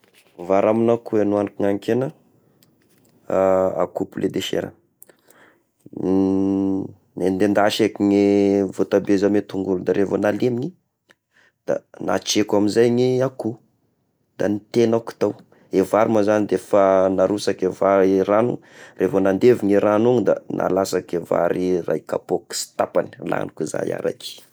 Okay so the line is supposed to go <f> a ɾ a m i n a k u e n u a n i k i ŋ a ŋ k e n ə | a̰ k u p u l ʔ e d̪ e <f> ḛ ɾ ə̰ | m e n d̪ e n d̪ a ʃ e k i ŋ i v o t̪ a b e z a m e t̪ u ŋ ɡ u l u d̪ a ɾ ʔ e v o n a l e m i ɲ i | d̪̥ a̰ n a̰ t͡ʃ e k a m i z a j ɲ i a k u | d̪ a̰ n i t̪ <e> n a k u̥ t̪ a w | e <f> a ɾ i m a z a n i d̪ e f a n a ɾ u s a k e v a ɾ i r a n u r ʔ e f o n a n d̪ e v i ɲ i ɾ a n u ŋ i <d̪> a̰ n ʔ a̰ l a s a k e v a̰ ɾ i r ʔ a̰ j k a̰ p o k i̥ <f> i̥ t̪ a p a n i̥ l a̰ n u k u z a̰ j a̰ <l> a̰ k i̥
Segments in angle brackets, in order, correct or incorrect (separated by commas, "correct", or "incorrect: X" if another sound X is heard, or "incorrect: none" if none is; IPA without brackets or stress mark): incorrect: v, incorrect: ʃ, correct, incorrect: v, correct, incorrect: s, incorrect: ɾ